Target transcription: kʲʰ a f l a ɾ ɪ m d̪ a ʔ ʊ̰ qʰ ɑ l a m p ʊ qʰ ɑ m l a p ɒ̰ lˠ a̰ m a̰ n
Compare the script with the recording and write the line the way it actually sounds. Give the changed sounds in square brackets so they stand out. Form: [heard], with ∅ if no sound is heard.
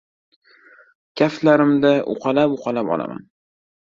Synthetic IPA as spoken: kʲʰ a f l a ɾ ɪ m d̪ a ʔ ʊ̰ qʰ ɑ l a [∅] p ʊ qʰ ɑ [∅] l a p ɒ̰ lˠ a̰ m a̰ n